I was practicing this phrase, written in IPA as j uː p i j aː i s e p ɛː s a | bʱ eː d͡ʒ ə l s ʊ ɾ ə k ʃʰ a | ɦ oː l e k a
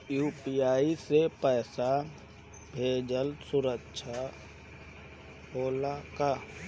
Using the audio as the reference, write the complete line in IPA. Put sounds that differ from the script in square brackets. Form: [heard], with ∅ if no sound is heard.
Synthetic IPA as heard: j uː p i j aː i s e p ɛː s a | bʱ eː d͡ʒ ə l s ʊ ɾ ə k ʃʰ a | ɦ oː l [a] k a

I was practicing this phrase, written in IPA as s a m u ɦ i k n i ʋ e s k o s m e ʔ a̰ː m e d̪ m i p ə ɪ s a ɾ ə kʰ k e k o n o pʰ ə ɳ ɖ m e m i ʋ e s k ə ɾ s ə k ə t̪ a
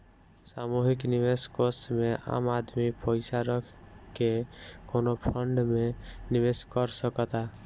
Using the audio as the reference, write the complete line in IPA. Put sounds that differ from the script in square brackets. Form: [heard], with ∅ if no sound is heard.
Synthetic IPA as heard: s a m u ɦ i k n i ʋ e s k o s m e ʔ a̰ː m [a] d̪ m i p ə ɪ s a ɾ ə kʰ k e k o n o pʰ ə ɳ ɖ m e [n] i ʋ e s k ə ɾ s ə k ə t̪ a

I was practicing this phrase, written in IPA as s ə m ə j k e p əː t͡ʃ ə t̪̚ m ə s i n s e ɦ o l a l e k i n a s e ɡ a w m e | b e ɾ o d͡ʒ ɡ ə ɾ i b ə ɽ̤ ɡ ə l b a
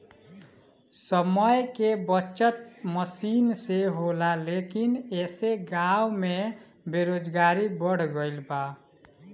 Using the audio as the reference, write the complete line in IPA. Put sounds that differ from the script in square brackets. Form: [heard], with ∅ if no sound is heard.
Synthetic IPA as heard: s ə m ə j k e [b] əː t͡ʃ ə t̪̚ m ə s i n s e ɦ o l a l e k i n [e] s e ɡ a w m e | b e ɾ o d͡ʒ ɡ [a] ɾ i b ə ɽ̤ ɡ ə l b a

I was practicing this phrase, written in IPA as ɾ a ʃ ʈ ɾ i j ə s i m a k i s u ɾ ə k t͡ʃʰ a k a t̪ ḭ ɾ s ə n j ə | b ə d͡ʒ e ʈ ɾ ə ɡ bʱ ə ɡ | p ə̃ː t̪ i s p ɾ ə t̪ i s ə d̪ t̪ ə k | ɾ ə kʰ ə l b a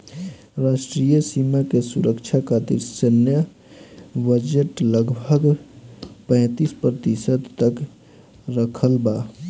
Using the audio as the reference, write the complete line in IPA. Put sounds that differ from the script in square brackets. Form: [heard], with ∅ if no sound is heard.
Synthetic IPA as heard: ɾ a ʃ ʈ ɾ i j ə s i m a k [e] s u ɾ ə k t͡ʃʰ a k a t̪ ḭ ɾ s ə n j ə | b ə d͡ʒ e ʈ [l] ə ɡ bʱ ə ɡ | p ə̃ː t̪ i s p ɾ ə t̪ i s ə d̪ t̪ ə k | ɾ ə kʰ ə l b a

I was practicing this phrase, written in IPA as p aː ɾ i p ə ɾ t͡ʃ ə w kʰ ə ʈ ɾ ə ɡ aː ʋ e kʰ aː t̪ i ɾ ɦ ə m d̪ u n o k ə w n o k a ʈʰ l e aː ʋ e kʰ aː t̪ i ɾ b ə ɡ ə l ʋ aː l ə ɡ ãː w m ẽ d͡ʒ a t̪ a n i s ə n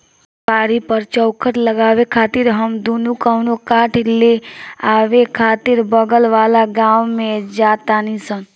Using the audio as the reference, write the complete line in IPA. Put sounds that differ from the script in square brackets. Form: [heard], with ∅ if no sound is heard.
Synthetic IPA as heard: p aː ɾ i p ə ɾ t͡ʃ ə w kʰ ə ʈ [l] ə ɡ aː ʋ e kʰ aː t̪ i ɾ ɦ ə m d̪ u n [u] k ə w n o k a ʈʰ l e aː ʋ e kʰ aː t̪ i ɾ b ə ɡ ə l ʋ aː l [a] ɡ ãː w m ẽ d͡ʒ a t̪ a n i s ə n

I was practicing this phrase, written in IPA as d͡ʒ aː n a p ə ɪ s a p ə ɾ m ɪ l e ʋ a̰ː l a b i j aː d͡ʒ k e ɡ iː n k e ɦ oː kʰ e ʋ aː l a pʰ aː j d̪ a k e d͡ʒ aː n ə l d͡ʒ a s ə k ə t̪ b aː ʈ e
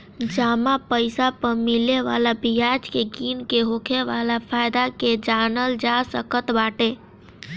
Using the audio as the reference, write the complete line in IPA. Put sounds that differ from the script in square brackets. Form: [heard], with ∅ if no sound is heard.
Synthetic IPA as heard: d͡ʒ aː [m] a p ə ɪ s a p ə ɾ m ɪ l e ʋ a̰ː l a b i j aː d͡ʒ k e ɡ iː n k e ɦ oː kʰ e ʋ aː l a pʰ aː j d̪ a k e d͡ʒ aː n ə l d͡ʒ a s ə k ə t̪ b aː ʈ e

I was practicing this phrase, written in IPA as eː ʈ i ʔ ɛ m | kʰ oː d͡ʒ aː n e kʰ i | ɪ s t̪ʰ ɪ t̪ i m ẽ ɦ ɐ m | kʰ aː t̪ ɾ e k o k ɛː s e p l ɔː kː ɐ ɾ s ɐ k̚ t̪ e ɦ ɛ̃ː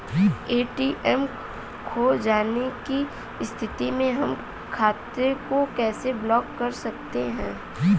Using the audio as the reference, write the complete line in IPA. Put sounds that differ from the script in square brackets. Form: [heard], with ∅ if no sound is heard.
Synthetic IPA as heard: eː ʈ i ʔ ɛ m | kʰ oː d͡ʒ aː n e [k] i | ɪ s t̪ʰ ɪ t̪ i m ẽ ɦ ɐ m | kʰ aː t̪ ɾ e k o k ɛː s e [b] l ɔː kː ɐ ɾ s ɐ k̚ t̪ e ɦ ɛ̃ː

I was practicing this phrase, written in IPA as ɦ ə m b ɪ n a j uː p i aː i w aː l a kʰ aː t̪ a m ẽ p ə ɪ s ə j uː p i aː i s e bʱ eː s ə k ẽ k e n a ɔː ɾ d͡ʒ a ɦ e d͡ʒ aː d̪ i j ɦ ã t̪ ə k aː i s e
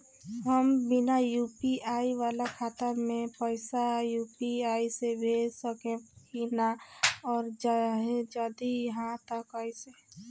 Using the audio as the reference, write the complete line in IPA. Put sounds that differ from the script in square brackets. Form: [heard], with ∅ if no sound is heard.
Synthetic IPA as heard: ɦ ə m b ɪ n a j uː p i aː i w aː l a kʰ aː t̪ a m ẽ p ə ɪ s [a] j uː p i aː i s e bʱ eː s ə k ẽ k [i] n a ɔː ɾ d͡ʒ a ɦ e d͡ʒ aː d̪ i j ɦ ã t̪ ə k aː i s e

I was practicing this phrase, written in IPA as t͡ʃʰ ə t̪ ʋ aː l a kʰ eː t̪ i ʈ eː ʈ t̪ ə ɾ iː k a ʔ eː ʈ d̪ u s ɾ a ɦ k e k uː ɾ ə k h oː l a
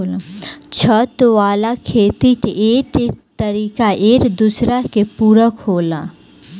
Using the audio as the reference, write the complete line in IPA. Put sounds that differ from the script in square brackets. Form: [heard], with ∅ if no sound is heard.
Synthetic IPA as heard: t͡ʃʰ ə t̪ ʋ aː l a kʰ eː t̪ i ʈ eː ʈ t̪ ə ɾ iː k a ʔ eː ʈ d̪ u s ɾ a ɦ k e [p] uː ɾ ə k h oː l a

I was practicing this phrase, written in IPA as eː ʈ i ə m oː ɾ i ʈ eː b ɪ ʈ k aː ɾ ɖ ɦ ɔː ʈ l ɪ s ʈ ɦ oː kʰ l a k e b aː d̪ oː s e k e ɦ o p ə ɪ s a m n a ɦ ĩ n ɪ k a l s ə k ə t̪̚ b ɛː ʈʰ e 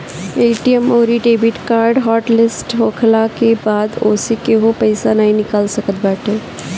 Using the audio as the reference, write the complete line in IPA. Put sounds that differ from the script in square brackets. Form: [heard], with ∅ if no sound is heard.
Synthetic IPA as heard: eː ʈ i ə m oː ɾ i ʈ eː b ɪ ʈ k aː ɾ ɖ ɦ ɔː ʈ l ɪ s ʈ ɦ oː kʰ l a k e b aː d̪ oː s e k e ɦ o p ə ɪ s a [∅] n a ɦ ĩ n ɪ k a l s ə k ə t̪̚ b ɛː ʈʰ e

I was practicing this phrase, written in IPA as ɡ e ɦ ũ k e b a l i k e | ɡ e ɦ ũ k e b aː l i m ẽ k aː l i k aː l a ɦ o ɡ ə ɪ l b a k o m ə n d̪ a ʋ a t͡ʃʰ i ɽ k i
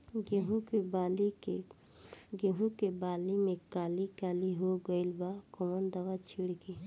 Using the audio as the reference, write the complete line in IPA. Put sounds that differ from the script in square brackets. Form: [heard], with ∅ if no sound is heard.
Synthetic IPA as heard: ɡ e ɦ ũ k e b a l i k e | ɡ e ɦ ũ k e b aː l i m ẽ k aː l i k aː l [i] ɦ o ɡ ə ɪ l b a k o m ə n d̪ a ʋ a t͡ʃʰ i ɽ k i

